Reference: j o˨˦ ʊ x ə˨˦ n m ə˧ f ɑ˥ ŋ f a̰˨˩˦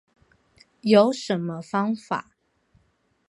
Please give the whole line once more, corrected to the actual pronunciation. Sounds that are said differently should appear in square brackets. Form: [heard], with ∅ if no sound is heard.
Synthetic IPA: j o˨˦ ʊ [ʂ] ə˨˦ n m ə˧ f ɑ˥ ŋ f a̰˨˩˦